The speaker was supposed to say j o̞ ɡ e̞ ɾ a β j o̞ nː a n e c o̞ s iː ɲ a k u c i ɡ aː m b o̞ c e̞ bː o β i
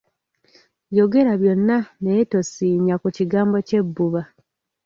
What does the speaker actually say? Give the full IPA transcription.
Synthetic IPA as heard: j o̞ ɡ e̞ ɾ a β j o̞ nː a n e t o̞ s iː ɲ a k u c i ɡ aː m b o̞ c e̞ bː u β a